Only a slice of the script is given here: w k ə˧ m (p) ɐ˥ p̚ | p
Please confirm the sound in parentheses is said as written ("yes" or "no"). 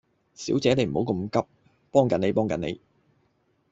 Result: no